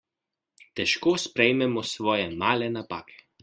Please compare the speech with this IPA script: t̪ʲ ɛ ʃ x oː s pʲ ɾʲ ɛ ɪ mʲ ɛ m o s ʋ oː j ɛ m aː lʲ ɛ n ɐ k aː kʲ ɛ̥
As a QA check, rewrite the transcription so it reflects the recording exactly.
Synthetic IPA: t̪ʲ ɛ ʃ k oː s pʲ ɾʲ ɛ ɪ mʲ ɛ m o s ʋ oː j ɛ m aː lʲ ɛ n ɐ p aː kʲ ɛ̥